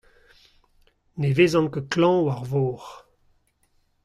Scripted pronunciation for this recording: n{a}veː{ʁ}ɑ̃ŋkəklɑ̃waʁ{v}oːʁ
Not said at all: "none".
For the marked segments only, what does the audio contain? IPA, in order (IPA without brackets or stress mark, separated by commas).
e, z, v